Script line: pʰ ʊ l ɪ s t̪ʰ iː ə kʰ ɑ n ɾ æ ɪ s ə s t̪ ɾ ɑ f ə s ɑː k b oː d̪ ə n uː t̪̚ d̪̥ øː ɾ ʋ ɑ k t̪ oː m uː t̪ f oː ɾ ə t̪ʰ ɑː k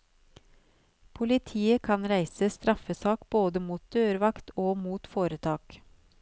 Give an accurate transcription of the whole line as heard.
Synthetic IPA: pʰ ʊ l ɪ t̪ʰ iː ə kʰ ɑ n ɾ æ ɪ s ə s t̪ ɾ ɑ f ə s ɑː k b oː d̪ ə m uː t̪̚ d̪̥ øː ɾ ʋ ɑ k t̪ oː m uː t̪ f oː ɾ ə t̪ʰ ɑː k